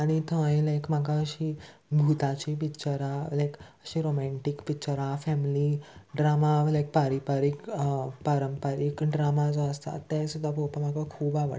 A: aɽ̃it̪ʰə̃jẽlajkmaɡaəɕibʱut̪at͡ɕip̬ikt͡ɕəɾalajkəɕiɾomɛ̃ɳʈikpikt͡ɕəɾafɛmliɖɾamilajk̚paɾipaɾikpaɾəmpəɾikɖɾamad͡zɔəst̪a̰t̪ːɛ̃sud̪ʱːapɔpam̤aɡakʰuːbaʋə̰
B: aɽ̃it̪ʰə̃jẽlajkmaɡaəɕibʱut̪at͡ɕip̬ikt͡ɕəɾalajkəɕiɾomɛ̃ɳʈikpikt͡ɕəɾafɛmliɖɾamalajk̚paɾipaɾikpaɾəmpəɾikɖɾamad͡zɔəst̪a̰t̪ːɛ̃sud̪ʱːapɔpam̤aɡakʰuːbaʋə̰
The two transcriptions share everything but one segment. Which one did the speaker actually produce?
B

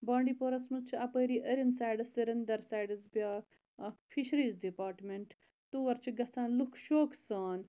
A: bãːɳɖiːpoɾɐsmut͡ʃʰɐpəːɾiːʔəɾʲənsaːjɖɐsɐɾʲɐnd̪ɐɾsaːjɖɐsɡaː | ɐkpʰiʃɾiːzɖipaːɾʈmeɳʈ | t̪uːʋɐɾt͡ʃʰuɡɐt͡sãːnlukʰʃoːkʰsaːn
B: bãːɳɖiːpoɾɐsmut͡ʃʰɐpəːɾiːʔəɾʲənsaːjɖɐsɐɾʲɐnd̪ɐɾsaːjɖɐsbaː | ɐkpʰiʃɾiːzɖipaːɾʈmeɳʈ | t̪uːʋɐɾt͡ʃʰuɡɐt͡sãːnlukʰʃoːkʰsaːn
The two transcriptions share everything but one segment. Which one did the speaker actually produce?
B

